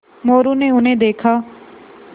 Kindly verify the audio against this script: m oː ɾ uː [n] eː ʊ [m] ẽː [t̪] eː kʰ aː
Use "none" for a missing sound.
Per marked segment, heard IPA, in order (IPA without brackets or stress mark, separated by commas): n, n, d̪